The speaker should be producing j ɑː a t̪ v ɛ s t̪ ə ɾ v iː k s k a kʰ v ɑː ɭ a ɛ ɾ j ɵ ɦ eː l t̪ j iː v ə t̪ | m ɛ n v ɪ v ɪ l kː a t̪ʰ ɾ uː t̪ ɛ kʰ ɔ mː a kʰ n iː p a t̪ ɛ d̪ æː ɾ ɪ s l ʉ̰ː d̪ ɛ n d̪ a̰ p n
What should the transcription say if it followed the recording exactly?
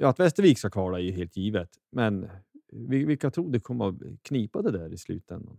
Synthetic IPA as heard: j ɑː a t̪ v ɛ s t̪ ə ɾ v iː k s k a kʰ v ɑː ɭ a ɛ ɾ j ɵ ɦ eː l t̪ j iː v ə t̪ | m ɛ n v ɪ v ɪ l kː a t̪ʰ ɾ uː d̪ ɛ kʰ ɔ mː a kʰ n iː p a d̪ ɛ d̪ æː ɾ ɪ s l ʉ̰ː t̪ ɛ n d̪ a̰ n